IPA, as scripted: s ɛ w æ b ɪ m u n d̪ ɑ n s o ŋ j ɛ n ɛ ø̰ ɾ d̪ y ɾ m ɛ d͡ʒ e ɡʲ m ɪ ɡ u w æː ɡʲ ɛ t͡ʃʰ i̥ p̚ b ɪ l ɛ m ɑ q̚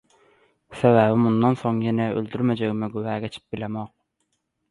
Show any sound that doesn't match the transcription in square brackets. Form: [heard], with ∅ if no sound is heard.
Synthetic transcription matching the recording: s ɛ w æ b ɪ m u n d̪ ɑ n s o ŋ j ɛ n ɛ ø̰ [l] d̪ y ɾ m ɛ d͡ʒ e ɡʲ m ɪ ɡ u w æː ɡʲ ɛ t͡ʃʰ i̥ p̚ b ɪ l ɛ m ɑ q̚